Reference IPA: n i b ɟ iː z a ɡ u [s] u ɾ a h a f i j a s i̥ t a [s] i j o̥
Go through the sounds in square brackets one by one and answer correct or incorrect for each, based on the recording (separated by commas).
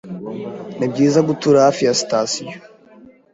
incorrect, correct